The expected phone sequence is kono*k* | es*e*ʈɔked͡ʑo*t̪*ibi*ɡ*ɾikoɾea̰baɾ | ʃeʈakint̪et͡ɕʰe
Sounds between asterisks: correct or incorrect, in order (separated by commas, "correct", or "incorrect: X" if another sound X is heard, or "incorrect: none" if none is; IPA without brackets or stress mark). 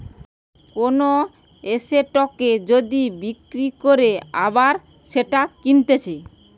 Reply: incorrect: none, correct, incorrect: d̪, incorrect: k